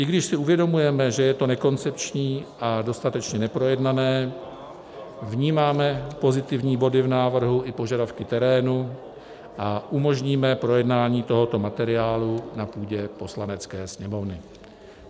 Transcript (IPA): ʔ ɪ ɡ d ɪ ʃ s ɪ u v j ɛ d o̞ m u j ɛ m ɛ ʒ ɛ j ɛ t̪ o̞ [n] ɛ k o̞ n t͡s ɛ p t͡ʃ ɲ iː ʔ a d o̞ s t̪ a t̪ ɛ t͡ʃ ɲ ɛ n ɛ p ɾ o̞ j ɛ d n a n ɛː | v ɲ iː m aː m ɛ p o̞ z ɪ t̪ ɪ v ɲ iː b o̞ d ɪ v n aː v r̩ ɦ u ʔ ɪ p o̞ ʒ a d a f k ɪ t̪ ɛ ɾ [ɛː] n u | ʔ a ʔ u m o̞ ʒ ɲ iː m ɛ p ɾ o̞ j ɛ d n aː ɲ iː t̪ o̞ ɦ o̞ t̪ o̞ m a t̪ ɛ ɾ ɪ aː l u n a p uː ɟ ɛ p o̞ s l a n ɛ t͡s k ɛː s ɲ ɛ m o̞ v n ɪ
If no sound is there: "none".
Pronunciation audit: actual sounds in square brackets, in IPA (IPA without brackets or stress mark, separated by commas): n, ɛː